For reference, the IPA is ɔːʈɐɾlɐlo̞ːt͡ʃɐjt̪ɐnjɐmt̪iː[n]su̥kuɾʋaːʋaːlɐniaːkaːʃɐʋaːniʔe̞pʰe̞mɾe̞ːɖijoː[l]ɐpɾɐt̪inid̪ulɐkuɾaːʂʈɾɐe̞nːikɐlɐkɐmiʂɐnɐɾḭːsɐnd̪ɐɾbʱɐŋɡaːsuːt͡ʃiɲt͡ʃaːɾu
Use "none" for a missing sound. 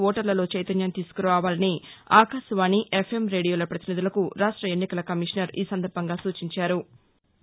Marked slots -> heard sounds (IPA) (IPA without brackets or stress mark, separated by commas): none, l